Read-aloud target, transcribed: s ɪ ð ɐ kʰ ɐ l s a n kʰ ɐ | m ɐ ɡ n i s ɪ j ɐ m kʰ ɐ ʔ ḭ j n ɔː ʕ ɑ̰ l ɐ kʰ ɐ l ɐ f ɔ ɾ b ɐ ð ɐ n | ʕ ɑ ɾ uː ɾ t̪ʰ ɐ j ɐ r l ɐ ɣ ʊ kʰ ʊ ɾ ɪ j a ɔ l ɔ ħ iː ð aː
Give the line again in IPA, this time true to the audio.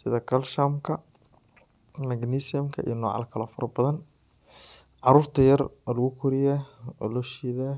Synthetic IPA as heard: s ɪ ð ɐ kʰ ɐ l ʃ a m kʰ ɐ | m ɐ ɡ n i s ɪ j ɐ m kʰ ɐ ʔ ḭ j n ɔː ʕ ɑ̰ l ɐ kʰ ɐ l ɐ f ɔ ɾ b ɐ ð ɐ n | ʕ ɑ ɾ uː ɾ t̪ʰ ɐ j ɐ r l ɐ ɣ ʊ kʰ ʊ ɾ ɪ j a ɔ l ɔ ʃ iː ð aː

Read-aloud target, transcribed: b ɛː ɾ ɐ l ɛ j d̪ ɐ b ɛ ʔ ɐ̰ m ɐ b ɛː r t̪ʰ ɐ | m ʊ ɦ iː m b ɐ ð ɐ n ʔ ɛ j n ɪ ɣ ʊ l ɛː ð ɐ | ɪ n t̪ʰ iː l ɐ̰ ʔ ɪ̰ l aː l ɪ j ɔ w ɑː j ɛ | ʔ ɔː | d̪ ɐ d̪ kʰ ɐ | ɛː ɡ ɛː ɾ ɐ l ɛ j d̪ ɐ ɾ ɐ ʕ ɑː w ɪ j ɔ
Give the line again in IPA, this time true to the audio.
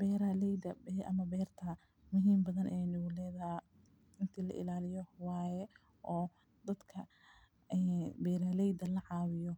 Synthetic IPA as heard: b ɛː ɾ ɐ l ɛ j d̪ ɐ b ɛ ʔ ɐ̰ m ɐ b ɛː r t̪ʰ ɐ | m ʊ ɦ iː m b ɐ ð ɐ n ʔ ɛ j n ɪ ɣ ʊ l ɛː ð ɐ | ɪ n t̪ʰ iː l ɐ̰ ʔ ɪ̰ l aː l ɪ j ɔ w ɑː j ɛ | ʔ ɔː | d̪ ɐ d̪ kʰ ɐ | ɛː b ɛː ɾ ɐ l ɛ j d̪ ɐ l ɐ ʕ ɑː w ɪ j ɔ

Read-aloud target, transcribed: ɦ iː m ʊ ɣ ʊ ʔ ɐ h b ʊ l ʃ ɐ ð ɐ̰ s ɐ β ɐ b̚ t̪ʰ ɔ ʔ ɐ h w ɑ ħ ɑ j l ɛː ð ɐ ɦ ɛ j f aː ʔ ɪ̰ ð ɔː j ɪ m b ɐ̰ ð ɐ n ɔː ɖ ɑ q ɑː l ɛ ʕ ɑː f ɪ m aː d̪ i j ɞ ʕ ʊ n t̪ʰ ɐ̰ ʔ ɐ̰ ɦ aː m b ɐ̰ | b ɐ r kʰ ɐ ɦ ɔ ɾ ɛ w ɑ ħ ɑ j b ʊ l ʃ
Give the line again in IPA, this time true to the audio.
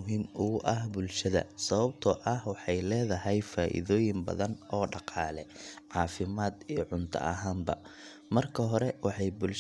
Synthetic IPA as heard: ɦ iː m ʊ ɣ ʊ ʔ ɐ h b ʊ l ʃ ɐ ð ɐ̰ s ɐ β ɐ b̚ t̪ʰ ɔ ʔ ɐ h w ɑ ħ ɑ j l ɛː ð ɐ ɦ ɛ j f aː ʔ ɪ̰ ð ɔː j ɪ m b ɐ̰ ð ɐ n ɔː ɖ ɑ q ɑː l ɛ ʕ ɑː f ɪ m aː d̪ i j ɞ ʕ ʊ n t̪ʰ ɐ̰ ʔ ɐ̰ ɦ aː m b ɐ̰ | m ɐ r kʰ ɐ ɦ ɔ ɾ ɛ w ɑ ħ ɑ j b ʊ l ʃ

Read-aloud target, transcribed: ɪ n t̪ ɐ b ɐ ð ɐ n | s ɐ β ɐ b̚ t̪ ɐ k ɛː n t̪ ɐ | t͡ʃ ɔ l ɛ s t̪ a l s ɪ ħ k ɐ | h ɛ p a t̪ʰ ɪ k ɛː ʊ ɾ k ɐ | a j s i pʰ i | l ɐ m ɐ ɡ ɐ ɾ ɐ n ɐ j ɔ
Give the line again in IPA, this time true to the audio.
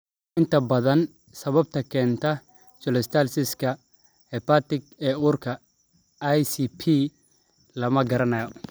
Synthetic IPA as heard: ɪ n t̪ ɐ b ɐ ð ɐ n | s ɐ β ɐ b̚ t̪ ɐ k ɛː n t̪ ɐ | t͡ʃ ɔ l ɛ s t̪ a l s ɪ s k ɐ | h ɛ p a t̪ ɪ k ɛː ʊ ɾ k ɐ | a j s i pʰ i | l ɐ m ɐ ɡ ɐ ɾ ɐ n ɐ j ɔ

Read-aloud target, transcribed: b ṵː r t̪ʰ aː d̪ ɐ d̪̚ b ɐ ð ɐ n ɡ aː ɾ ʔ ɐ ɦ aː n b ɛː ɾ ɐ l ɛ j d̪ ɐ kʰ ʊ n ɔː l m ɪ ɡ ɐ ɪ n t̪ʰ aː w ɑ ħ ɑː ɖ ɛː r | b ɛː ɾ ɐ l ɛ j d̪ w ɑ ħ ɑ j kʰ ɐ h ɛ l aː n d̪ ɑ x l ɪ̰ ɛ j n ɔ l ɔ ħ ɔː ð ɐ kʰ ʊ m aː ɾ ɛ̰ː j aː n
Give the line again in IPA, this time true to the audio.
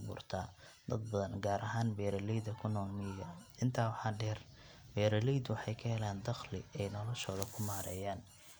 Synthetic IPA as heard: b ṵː r t̪ʰ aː d̪ ɐ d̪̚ b ɐ ð ɐ n ɡ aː ɾ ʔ ɐ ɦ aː n b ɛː ɾ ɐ l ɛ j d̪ ɐ kʰ ʊ n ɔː l m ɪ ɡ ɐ ɪ n t̪ʰ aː w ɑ ħ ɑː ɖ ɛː r | b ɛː ɾ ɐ l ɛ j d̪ w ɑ ħ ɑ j kʰ ɐ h ɛ l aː n d̪ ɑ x l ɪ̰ ɛ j n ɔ l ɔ ʃ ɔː ð ɐ kʰ ʊ m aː ɾ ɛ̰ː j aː n

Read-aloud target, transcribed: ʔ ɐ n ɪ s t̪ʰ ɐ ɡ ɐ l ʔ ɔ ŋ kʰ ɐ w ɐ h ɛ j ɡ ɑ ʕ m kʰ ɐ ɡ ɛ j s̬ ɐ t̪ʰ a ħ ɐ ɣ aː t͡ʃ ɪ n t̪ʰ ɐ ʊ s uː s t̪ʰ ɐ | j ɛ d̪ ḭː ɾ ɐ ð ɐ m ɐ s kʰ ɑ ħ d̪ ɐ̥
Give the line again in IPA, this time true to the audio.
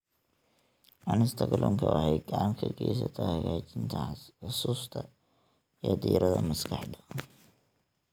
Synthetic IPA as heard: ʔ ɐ n ɪ s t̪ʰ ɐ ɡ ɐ l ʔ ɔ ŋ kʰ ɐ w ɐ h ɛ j ɡ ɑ ʕ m kʰ ɐ ɡ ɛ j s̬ ɐ t̪ʰ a h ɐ ɣ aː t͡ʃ ɪ n t̪ʰ ɐ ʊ s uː s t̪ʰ ɐ | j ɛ d̪ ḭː ɾ ɐ ð ɐ m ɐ s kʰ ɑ ħ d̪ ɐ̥

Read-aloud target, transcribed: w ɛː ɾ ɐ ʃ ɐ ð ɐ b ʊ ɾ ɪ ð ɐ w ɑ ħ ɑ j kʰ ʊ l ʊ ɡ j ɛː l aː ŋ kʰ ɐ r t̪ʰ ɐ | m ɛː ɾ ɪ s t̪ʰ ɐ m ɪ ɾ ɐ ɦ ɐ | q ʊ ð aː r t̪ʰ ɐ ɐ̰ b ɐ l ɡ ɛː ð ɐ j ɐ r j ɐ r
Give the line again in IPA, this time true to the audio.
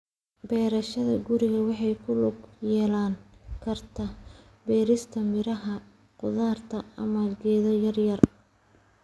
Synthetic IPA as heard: b ɛː ɾ ɐ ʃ ɐ ð ɐ ɡ ʊ ɾ ɪ ɣ ɐ w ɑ ħ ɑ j kʰ ʊ l ʊ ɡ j ɛː l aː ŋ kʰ ɐ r t̪ʰ ɐ | b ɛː ɾ ɪ s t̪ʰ ɐ m ɪ ɾ ɐ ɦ ɐ | q ʊ ð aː r t̪ʰ ɐ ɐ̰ m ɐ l ɡ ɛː ð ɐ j ɐ r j ɐ r

